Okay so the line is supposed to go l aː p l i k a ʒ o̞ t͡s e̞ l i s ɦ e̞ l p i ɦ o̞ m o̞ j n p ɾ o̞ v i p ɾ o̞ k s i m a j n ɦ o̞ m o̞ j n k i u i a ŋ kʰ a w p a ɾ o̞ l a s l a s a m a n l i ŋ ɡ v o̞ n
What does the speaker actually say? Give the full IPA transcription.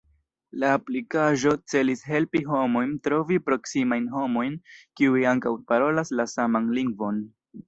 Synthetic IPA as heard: l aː p l i k a ʒ o̞ t͡s e̞ l i s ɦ e̞ l p i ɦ o̞ m o̞ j n t ɾ o̞ v i p ɾ o̞ k s i m a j n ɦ o̞ m o̞ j n k i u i a ŋ k a w p a ɾ o̞ l a s l a s a m a n l i ŋ ɡ v o̞ n